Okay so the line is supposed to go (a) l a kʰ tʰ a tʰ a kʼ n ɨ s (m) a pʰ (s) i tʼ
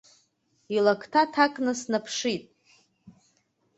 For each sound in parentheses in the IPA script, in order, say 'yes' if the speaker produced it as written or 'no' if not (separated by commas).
no, no, no